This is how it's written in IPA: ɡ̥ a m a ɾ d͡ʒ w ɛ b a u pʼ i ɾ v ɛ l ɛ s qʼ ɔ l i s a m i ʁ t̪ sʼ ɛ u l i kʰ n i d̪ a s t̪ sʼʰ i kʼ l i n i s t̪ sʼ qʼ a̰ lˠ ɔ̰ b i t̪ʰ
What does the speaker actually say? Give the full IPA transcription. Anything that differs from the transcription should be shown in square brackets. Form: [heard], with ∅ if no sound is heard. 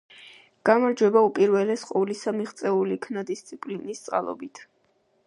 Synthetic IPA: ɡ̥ a m a ɾ d͡ʒ w ɛ b a u pʼ i ɾ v ɛ l ɛ s qʼ ɔ l i s a m i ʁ t̪ sʼ ɛ u l i kʰ n [a] d̪ [i] s t̪ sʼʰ i [pʼ] l i n i s t̪ sʼ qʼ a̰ lˠ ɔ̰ b i t̪ʰ